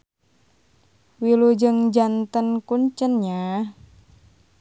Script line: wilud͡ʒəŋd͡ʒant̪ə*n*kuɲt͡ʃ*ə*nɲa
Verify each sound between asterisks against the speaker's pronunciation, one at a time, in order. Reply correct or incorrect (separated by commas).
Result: correct, correct